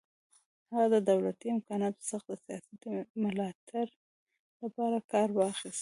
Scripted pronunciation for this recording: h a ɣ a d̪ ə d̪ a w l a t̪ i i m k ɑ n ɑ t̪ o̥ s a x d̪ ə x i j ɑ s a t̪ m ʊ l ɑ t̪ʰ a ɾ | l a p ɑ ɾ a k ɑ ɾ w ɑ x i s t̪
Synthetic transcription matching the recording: h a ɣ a d̪ ə d̪ a w l a t̪ i ɪ m k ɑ n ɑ t̪ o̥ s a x d̪ ə s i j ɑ s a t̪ m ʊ l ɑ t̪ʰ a ɾ | l a p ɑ ɾ a k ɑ ɾ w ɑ x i s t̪